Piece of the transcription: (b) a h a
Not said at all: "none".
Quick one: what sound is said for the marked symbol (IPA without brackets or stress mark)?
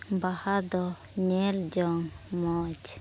b